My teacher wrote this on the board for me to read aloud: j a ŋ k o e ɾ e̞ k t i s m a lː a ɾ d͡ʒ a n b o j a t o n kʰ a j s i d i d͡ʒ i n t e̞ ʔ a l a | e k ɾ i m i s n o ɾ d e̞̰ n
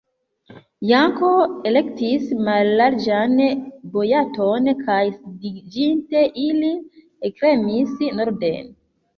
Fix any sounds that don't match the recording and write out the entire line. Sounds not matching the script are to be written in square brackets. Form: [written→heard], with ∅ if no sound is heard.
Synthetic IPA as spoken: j a ŋ k o e [ɾ→l] e̞ k t i s m a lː a ɾ d͡ʒ a n b o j a t o n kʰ a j s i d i d͡ʒ i n t e̞ ʔ [a→i] l [a→i] | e k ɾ [i→e] m i s n o ɾ d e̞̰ n